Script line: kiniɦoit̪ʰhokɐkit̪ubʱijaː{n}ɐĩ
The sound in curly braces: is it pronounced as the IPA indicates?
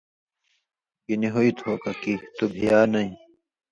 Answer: yes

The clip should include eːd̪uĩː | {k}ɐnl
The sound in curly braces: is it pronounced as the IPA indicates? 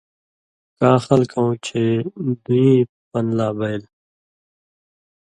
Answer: no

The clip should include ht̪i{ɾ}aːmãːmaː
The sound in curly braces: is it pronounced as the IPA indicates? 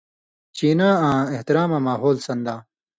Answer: yes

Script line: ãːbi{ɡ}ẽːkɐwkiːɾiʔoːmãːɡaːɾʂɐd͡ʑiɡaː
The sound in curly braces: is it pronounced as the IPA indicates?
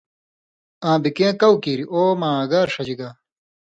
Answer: no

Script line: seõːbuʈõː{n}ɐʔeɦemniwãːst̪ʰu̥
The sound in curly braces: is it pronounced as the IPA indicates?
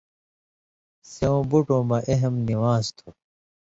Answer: no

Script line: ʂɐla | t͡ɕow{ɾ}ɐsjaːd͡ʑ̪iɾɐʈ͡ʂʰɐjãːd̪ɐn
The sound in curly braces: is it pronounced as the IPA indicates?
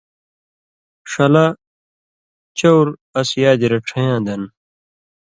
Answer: yes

